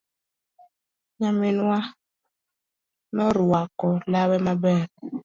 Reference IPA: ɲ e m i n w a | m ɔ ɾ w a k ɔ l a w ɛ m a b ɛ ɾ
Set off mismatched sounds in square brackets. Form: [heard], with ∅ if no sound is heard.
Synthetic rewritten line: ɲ [a] m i n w a | [n] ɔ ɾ w a k ɔ l a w ɛ m a b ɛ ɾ

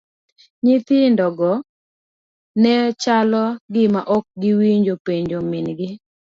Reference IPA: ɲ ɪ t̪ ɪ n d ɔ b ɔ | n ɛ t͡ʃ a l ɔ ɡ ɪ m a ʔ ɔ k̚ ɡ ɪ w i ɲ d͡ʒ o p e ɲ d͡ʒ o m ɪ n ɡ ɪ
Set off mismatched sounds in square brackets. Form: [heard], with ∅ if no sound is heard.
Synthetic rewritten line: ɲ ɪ t̪ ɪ n d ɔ [ɡ] ɔ | n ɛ t͡ʃ a l ɔ ɡ ɪ m a ʔ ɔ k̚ ɡ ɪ w i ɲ d͡ʒ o p e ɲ d͡ʒ o m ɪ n ɡ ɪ

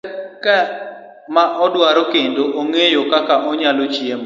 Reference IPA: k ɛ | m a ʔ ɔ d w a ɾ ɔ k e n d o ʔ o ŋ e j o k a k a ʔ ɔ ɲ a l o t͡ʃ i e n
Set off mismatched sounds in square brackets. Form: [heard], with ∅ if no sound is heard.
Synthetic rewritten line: k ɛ | m a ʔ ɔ d w a ɾ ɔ k e n d o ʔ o ŋ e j o k a k a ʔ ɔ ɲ a l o t͡ʃ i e [m]

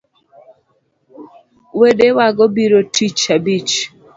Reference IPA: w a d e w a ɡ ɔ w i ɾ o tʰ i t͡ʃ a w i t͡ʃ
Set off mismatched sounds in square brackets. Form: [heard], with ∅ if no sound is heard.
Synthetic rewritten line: w [e] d e w a ɡ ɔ [b] i ɾ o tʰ i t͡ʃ a [b] i t͡ʃ

